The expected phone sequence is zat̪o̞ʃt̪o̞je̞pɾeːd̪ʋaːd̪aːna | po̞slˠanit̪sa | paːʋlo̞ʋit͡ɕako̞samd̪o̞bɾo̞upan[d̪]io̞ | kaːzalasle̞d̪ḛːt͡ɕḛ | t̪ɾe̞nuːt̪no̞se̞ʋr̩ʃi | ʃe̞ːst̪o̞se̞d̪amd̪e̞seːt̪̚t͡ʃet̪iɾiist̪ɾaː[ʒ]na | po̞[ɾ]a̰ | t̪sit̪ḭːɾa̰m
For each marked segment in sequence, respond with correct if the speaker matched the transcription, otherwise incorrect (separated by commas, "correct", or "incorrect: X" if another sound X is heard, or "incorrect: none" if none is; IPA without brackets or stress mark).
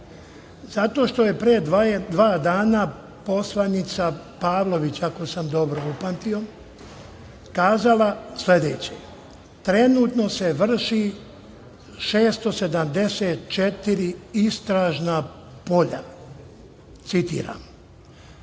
incorrect: t̪, correct, incorrect: ʎ